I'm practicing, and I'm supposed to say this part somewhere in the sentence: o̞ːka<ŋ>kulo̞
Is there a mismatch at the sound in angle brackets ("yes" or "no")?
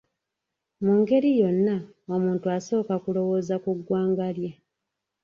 yes